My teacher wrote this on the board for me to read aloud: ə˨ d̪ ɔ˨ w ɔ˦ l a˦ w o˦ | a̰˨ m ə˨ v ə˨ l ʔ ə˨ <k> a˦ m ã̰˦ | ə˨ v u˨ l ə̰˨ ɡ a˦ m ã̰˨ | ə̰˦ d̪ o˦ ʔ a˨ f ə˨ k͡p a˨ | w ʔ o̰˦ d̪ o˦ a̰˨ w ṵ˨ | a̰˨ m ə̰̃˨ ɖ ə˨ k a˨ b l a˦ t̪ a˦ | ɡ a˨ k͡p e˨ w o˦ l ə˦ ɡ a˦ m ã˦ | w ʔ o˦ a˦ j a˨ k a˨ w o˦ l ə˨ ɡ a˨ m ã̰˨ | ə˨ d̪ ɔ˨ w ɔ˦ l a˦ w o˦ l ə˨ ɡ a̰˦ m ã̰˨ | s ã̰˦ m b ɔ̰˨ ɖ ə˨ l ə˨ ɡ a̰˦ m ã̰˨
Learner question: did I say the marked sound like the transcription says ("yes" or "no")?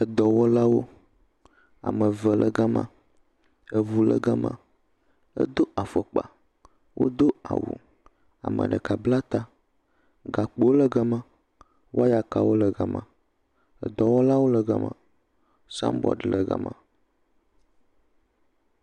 no